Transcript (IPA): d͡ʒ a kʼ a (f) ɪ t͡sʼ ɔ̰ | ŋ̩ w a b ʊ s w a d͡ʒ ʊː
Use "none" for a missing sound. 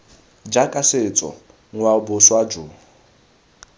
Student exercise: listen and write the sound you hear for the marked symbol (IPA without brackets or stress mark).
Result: s